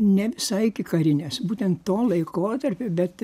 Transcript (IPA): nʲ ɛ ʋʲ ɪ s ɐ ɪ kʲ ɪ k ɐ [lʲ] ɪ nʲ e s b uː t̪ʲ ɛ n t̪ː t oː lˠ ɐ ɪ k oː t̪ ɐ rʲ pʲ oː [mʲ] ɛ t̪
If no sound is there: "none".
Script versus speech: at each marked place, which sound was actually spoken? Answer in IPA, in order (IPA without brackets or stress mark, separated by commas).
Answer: ɾʲ, bʲ